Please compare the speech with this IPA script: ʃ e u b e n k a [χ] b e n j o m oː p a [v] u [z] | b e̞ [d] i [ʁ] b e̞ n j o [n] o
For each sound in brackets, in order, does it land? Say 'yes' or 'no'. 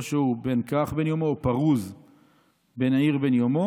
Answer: yes, no, yes, no, yes, no

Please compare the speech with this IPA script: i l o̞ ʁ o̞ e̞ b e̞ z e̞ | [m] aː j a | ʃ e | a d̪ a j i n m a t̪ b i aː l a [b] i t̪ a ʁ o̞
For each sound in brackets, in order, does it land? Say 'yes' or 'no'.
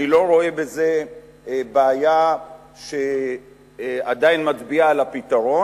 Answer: no, no

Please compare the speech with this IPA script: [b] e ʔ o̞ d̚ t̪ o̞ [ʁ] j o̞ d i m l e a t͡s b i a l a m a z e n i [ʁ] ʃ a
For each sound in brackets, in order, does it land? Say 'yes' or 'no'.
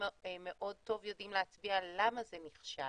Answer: no, no, no

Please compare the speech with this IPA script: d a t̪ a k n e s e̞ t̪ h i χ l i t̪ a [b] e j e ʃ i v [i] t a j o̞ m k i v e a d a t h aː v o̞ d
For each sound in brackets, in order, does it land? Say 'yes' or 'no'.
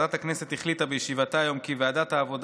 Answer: yes, no

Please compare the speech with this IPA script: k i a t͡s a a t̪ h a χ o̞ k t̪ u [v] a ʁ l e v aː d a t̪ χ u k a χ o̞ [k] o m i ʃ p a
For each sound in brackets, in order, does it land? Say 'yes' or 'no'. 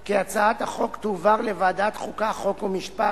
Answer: yes, yes

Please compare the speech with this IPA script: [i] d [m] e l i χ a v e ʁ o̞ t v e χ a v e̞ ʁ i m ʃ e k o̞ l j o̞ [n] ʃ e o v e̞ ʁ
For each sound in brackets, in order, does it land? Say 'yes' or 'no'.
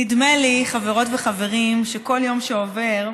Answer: yes, yes, no

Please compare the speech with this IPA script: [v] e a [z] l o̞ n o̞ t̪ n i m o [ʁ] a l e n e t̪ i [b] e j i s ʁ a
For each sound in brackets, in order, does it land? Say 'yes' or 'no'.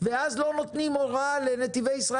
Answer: yes, yes, yes, no

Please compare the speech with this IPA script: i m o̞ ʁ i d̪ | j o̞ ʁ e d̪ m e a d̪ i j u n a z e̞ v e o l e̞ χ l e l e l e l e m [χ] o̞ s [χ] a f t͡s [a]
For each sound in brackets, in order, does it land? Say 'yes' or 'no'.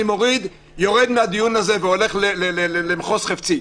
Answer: yes, yes, no

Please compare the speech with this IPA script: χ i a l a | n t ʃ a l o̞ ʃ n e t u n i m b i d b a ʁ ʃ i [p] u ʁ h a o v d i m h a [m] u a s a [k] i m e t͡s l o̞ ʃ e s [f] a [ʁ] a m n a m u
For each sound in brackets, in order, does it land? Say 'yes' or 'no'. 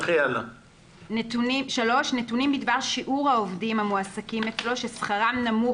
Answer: no, yes, yes, no, yes

